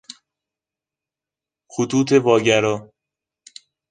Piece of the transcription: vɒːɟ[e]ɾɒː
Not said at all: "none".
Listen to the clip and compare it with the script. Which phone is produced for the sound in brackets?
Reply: æ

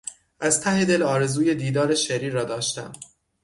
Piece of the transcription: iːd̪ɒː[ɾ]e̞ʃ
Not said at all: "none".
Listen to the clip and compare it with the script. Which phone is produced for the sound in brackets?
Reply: ɾ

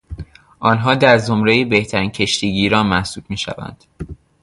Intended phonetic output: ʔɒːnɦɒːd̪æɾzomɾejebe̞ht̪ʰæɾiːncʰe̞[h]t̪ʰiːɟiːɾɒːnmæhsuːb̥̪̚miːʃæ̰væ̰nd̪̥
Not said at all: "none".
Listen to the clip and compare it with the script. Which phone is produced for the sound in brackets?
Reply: ʃ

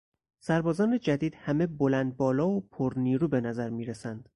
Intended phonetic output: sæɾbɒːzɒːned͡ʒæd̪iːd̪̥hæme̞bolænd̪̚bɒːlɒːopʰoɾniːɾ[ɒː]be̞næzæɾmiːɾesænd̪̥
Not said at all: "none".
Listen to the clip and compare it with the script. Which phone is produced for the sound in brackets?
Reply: uː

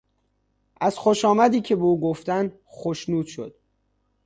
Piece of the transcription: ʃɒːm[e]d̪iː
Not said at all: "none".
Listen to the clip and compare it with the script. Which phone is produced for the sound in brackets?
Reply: æ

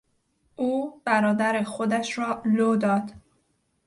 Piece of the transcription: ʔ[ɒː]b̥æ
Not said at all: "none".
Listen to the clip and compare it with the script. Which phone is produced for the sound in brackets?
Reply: uː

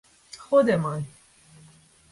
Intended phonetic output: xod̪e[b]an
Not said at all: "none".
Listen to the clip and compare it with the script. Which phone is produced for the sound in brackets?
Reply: m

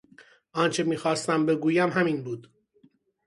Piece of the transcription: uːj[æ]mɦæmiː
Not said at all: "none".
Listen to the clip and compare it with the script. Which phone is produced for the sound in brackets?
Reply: æ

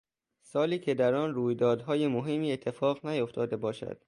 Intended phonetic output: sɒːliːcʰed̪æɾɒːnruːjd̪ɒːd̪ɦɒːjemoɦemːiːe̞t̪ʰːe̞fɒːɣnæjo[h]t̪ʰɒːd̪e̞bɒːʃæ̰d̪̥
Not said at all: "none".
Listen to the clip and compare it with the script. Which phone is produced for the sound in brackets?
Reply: f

